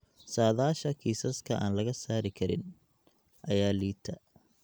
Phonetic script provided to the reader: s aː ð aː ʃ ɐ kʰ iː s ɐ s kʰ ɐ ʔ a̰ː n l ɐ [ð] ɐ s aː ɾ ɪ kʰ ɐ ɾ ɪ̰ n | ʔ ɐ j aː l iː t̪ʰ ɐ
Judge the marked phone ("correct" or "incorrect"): incorrect